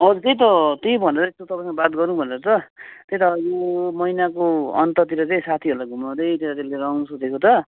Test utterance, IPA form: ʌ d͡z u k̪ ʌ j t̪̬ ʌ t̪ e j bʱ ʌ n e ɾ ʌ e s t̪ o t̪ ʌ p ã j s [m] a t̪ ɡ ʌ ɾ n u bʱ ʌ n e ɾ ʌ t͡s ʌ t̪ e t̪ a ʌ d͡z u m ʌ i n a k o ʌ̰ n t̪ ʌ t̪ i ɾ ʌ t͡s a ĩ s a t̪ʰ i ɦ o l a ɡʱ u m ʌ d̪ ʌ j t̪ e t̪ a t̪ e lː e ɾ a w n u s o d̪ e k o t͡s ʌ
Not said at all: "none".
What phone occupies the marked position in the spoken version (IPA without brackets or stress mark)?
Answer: b